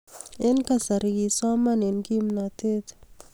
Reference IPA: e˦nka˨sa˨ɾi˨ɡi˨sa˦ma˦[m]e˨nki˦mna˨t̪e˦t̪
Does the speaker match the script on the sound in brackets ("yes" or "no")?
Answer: no